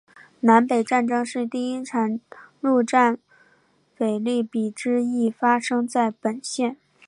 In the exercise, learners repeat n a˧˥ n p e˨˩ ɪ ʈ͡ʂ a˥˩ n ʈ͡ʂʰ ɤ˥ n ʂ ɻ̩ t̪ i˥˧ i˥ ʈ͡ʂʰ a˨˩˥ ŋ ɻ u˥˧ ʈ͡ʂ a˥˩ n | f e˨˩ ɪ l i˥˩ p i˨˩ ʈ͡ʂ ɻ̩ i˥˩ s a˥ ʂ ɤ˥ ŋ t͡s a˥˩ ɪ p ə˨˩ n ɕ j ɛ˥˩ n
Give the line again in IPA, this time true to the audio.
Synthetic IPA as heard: n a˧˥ n p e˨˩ ɪ ʈ͡ʂ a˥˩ n ʈ͡ʂ ɤ˥ ŋ ʂ ɻ̩ t̪ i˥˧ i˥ ʈ͡ʂʰ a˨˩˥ n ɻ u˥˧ ʈ͡ʂ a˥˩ n | f e˨˩ ɪ l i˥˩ p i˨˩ ʈ͡ʂ ɻ̩ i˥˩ f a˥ ʂ ɤ˥ ŋ t͡s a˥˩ ɪ p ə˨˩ n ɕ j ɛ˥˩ n